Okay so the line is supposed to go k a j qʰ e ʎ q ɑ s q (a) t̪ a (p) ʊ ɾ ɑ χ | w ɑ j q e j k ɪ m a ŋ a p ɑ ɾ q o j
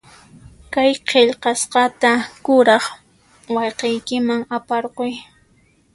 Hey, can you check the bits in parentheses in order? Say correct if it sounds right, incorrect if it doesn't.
incorrect: ɑ, incorrect: k

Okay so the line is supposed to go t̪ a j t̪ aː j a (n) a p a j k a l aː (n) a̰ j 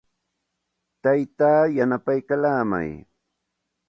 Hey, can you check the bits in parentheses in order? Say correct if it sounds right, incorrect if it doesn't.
correct, incorrect: m

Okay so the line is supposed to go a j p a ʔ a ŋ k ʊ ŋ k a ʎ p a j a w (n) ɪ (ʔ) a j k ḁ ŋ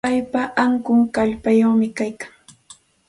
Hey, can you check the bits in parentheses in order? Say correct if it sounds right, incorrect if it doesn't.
incorrect: m, incorrect: k

